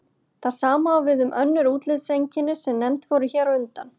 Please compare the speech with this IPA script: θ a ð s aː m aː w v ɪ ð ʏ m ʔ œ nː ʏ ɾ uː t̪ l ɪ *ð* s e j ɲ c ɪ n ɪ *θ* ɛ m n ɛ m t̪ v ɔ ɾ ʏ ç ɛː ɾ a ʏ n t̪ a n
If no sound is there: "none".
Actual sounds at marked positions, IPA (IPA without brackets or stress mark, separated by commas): ð, s